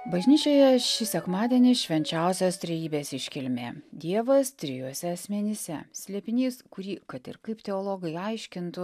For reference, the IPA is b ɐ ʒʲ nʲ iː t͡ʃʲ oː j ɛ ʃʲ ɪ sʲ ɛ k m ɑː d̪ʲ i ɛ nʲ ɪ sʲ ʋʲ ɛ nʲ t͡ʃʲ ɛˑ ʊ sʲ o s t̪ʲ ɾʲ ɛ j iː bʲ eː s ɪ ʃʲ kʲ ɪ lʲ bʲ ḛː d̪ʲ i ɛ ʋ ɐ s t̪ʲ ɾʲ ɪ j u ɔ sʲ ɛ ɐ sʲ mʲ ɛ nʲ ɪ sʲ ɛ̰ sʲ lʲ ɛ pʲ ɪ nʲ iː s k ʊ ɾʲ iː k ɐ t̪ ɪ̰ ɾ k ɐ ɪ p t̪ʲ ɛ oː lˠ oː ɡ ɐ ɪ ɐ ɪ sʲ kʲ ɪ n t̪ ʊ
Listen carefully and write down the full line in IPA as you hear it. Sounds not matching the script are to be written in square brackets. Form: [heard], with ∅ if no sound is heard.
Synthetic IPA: b ɐ ʒʲ nʲ iː t͡ʃʲ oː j ɛ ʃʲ ɪ sʲ ɛ k m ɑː d̪ʲ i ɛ nʲ ɪ [ʃʲ] ʋʲ ɛ nʲ t͡ʃʲ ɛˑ ʊ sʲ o s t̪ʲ ɾʲ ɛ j iː bʲ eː s ɪ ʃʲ kʲ ɪ lʲ [mʲ] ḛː d̪ʲ i ɛ ʋ ɐ s t̪ʲ ɾʲ ɪ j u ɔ sʲ ɛ ɐ sʲ mʲ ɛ nʲ ɪ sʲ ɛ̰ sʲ lʲ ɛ pʲ ɪ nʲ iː s k ʊ ɾʲ iː k ɐ t̪ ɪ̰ ɾ k ɐ ɪ p t̪ʲ ɛ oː lˠ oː ɡ ɐ ɪ ɐ ɪ [ʃʲ] kʲ ɪ n t̪ ʊ

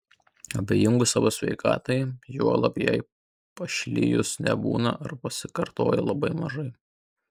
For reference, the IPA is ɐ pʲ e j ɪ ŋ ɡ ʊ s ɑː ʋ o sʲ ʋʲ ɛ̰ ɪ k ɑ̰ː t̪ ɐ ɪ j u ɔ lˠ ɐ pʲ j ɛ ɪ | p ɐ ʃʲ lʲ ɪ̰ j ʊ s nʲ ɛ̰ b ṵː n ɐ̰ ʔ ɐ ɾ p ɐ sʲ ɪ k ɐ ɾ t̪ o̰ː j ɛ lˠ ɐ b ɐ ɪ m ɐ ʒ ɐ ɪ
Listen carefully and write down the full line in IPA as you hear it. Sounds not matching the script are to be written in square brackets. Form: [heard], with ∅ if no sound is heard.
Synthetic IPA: ɐ [bʲ] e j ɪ ŋ ɡ ʊ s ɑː ʋ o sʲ ʋʲ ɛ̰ ɪ k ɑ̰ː t̪ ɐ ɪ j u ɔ lˠ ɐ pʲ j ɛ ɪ | p ɐ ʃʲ lʲ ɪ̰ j ʊ s nʲ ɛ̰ b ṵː n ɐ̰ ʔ ɐ ɾ p ɐ sʲ ɪ k ɐ ɾ t̪ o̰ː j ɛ lˠ ɐ b ɐ ɪ m ɐ ʒ ɐ ɪ

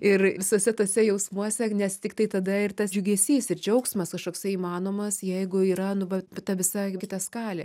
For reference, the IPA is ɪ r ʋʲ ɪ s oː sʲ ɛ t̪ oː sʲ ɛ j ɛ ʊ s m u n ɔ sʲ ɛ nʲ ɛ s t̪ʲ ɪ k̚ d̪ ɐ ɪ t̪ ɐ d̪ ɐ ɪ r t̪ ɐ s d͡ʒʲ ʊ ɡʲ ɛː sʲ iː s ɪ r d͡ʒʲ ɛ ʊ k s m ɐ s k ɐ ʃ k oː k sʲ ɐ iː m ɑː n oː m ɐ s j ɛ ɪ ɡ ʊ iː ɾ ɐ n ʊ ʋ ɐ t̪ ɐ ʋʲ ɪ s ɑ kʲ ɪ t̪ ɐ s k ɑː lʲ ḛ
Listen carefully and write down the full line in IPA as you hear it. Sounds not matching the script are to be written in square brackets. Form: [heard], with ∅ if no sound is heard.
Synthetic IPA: ɪ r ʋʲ ɪ s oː sʲ ɛ t̪ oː sʲ ɛ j ɛ ʊ s m u [∅] ɔ sʲ ɛ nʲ ɛ s t̪ʲ ɪ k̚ [t̪] ɐ ɪ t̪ ɐ d̪ ɐ ɪ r t̪ ɐ s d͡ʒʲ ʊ ɡʲ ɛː sʲ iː s ɪ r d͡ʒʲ ɛ ʊ k s m ɐ s k ɐ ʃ k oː k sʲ ɐ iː m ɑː n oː m ɐ s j ɛ ɪ ɡ ʊ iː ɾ ɐ n ʊ ʋ ɐ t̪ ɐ ʋʲ ɪ s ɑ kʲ ɪ t̪ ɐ s k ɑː lʲ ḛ

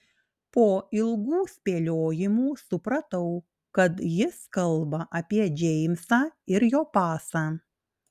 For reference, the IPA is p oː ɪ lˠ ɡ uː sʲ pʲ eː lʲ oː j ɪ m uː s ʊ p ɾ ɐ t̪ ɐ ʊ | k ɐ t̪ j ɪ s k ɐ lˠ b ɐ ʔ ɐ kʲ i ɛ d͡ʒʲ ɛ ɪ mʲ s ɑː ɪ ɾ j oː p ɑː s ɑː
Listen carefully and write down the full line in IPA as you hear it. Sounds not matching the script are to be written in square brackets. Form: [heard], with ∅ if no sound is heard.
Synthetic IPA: p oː ɪ lˠ ɡ uː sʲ pʲ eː lʲ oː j ɪ m uː s ʊ p ɾ ɐ t̪ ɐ ʊ | k ɐ t̪ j ɪ s k ɐ lˠ b ɐ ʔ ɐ [pʲ] i ɛ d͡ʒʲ ɛ ɪ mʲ s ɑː ɪ ɾ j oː p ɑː s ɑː

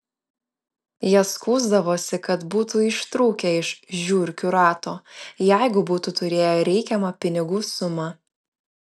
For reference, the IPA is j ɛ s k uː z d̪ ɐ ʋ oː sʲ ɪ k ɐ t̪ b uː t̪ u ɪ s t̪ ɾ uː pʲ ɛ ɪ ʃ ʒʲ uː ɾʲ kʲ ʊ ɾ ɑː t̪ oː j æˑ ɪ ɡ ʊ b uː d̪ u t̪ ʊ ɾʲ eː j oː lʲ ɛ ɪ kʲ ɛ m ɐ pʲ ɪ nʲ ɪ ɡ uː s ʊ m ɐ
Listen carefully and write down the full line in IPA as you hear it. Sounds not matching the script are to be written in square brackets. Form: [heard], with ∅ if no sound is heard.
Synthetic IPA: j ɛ s k uː z d̪ ɐ ʋ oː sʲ ɪ k ɐ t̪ b uː t̪ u ɪ [ʃ] t̪ ɾ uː [kʲ] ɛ ɪ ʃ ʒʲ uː ɾʲ kʲ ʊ ɾ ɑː t̪ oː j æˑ ɪ ɡ ʊ b uː [t̪] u t̪ ʊ ɾʲ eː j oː [ɾʲ] ɛ ɪ kʲ ɛ m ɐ pʲ ɪ nʲ ɪ ɡ uː s ʊ m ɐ

